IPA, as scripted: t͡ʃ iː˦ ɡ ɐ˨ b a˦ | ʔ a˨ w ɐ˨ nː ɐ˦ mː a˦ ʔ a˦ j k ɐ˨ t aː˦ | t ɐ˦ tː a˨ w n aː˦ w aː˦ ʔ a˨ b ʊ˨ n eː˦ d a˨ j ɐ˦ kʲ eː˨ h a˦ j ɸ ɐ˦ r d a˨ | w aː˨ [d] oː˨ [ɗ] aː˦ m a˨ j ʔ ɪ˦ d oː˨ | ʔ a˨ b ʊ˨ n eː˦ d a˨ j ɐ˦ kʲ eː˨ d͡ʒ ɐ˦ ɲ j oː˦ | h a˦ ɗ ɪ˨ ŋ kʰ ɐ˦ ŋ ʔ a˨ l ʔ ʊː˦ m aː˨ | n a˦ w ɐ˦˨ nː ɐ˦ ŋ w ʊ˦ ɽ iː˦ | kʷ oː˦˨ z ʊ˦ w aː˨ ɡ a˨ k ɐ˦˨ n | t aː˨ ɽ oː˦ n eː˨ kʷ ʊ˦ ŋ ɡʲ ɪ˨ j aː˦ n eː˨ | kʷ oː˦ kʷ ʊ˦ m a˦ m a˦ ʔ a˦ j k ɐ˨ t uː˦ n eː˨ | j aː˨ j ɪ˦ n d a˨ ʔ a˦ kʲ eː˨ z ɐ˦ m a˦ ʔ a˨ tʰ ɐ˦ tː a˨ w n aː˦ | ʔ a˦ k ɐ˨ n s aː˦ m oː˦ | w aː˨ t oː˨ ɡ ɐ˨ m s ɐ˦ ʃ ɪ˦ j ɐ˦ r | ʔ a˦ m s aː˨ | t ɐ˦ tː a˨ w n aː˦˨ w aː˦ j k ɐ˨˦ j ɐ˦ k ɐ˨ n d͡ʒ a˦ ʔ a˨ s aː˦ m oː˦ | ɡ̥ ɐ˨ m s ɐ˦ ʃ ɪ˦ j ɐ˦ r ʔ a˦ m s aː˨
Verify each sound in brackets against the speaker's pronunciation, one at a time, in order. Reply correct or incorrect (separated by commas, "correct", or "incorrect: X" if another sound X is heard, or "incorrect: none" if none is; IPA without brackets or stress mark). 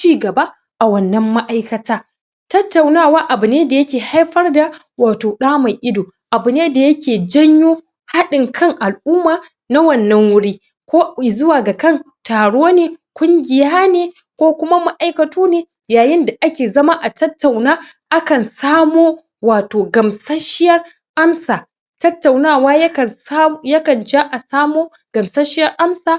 incorrect: t, correct